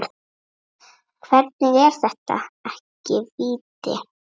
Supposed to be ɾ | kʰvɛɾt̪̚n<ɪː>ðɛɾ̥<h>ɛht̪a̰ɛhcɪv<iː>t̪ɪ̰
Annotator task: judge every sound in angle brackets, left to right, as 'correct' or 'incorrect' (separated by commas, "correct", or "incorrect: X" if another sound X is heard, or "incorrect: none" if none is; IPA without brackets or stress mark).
incorrect: ɪ, incorrect: θ, correct